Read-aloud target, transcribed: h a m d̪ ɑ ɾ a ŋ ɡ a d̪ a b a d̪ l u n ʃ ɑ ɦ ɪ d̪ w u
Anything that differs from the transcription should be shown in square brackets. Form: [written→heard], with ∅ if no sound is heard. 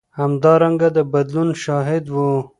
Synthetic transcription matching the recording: h a m d̪ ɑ ɾ a ŋ ɡ a d̪ [a→ə] b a d̪ l u n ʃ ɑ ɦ ɪ d̪ w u